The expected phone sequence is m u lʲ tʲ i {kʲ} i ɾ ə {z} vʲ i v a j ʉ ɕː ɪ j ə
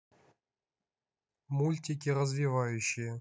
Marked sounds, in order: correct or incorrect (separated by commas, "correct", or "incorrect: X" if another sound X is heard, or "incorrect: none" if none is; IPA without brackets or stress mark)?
correct, correct